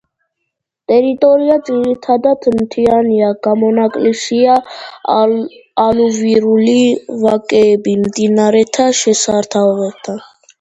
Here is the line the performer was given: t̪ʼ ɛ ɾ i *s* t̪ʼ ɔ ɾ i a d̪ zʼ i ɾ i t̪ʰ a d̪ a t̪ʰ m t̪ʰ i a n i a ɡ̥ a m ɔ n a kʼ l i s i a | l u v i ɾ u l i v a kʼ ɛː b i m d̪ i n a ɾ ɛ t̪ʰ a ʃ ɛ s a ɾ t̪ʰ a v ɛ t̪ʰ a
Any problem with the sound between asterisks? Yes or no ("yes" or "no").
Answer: yes